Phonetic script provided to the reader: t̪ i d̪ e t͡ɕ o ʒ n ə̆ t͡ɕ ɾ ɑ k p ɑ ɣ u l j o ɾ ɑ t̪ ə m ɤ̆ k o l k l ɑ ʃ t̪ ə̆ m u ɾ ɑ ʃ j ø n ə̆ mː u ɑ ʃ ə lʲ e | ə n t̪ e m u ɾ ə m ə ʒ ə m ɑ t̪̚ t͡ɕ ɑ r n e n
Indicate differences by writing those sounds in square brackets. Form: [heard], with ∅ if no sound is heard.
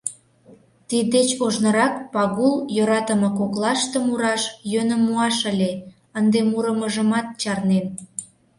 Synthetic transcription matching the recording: t̪ i d̪ e t͡ɕ o ʒ n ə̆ [∅] ɾ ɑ k p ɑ ɣ u l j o ɾ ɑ t̪ ə m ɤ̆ k o [∅] k l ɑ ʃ t̪ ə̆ m u ɾ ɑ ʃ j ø n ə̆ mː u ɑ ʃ ə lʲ e | ə n [d̪] e m u ɾ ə m ə ʒ ə m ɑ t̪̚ t͡ɕ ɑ r n e n